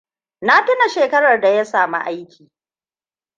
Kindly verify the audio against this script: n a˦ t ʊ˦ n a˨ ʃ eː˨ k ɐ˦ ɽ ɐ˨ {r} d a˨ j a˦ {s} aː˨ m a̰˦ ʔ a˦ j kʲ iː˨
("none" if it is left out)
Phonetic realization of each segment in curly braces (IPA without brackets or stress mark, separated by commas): r, s